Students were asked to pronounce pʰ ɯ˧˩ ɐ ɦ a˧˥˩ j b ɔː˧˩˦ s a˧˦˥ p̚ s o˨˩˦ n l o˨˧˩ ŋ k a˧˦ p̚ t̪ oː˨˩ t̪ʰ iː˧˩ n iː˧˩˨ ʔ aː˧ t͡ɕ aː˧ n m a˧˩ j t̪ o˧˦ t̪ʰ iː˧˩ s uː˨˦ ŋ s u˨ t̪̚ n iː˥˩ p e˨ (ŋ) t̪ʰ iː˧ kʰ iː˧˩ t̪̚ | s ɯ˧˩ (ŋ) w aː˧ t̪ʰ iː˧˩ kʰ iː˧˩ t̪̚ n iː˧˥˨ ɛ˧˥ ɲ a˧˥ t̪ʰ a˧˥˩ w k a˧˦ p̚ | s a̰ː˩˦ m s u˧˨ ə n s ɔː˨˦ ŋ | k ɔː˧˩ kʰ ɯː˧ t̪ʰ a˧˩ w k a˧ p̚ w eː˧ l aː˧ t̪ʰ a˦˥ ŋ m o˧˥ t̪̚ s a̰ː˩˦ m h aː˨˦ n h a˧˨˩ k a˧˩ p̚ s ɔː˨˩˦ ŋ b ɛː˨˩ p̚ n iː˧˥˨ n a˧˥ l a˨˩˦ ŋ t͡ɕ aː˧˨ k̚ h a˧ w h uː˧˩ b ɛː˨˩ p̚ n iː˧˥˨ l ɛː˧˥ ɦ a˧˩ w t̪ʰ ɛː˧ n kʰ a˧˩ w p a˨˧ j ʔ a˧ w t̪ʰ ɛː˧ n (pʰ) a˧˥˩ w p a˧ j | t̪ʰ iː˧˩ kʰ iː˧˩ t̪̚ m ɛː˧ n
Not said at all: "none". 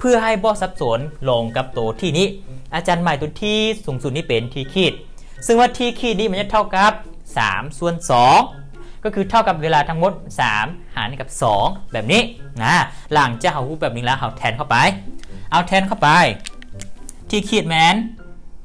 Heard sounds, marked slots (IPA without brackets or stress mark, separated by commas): n, ŋ, kʰ